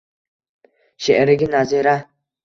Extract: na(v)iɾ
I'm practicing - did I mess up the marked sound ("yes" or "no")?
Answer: yes